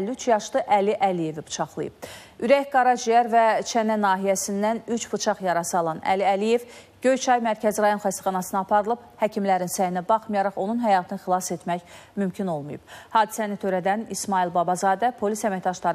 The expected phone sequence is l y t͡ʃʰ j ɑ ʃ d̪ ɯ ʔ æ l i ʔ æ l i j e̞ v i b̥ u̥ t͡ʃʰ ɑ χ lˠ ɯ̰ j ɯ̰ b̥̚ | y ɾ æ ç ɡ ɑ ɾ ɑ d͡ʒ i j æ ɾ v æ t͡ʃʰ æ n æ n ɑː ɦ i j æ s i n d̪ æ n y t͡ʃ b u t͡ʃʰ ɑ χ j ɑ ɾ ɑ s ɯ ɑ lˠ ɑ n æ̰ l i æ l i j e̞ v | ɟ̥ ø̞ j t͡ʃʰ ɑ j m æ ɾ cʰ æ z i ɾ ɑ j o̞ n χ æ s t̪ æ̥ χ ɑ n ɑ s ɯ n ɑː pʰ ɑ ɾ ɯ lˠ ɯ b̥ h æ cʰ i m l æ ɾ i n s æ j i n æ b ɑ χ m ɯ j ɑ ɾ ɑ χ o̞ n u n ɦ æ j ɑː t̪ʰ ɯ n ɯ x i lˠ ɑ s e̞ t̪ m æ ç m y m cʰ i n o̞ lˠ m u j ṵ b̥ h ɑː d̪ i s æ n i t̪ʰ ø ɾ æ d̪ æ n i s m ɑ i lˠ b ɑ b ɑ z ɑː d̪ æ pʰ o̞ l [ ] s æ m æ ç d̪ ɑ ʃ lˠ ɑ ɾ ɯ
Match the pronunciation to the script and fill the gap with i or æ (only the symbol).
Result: i